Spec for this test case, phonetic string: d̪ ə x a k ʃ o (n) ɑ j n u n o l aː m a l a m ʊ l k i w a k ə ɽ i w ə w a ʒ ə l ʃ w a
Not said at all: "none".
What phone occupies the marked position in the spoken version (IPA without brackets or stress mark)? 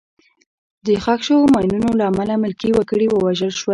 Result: m